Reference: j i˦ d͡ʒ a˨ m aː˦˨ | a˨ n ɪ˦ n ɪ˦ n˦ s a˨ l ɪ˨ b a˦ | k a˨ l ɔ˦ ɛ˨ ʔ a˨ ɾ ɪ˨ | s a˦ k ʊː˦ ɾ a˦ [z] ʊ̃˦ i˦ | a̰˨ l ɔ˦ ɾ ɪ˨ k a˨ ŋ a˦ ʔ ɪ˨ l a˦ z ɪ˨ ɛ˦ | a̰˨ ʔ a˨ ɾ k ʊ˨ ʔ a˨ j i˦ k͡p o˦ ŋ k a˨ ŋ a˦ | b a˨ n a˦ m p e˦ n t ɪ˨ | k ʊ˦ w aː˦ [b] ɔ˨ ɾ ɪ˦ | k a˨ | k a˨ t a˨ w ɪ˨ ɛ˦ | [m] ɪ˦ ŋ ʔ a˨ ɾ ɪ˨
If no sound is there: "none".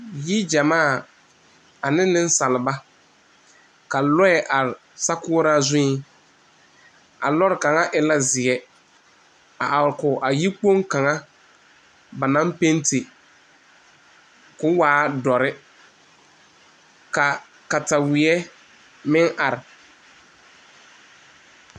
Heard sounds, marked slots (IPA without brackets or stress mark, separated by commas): z, d, m